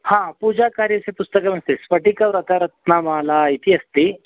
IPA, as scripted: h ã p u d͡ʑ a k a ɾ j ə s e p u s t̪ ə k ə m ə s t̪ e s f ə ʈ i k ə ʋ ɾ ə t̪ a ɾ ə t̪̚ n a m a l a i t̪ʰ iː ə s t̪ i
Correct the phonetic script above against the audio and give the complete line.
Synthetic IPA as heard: h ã p u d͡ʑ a k a ɾ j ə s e p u s t̪ ə k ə m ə s t̪ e s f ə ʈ i k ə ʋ ɾ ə t̪ a ɾ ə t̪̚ n a m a l a i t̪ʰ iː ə s t̪ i